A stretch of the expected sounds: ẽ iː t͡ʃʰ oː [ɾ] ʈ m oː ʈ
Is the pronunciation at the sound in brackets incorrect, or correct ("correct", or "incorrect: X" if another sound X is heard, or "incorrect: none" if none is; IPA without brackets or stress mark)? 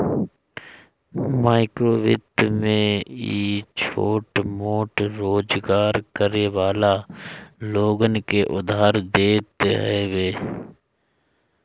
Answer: incorrect: none